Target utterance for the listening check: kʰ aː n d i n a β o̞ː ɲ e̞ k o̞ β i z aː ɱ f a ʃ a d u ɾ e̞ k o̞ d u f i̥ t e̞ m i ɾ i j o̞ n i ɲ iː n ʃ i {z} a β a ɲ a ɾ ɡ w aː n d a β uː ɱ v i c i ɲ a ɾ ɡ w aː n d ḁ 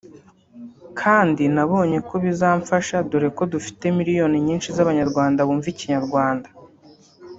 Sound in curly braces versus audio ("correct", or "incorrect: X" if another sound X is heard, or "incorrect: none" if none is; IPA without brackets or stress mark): correct